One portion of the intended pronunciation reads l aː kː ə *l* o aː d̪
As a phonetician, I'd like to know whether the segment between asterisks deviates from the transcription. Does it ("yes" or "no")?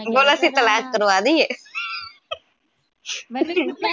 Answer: yes